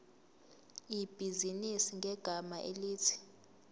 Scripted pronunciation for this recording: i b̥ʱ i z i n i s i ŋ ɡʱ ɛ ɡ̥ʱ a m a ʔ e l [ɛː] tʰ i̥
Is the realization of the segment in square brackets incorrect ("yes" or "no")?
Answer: yes